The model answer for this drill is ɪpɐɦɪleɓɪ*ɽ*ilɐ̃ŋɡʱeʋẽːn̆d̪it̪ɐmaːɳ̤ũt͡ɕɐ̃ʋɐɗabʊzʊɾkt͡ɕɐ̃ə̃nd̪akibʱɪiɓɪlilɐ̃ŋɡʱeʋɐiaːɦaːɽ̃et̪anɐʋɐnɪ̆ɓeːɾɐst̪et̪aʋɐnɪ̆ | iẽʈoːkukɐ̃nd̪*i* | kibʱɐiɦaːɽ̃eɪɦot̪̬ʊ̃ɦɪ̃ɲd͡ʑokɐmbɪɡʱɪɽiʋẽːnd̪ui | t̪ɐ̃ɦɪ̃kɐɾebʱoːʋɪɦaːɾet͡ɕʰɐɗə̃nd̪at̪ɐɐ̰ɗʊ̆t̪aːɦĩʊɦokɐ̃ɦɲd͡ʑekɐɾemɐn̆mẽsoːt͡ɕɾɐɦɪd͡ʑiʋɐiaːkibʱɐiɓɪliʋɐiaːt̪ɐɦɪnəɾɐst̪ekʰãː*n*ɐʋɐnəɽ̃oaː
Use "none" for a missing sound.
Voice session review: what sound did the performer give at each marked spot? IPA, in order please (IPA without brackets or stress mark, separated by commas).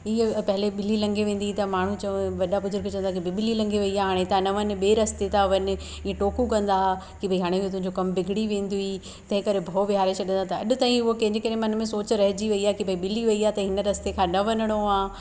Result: l, a, n